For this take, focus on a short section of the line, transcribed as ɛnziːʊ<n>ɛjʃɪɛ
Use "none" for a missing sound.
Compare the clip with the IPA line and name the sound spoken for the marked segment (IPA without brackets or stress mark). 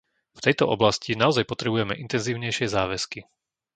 ɲ